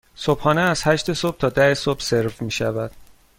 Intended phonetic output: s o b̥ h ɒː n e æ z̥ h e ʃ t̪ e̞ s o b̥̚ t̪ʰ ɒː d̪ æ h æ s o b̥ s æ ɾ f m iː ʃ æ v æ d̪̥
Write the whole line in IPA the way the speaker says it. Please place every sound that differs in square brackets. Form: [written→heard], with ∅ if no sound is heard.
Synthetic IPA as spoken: s o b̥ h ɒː n e æ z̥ h [e→æ] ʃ t̪ e̞ s o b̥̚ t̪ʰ ɒː d̪ æ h [æ→e] s o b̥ s [æ→e] ɾ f m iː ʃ æ v æ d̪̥